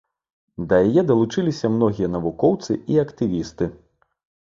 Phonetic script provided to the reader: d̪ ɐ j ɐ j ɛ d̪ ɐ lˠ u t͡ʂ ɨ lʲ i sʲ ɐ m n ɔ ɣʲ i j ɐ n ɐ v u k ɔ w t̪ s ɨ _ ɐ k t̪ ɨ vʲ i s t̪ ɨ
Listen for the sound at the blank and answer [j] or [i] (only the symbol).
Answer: i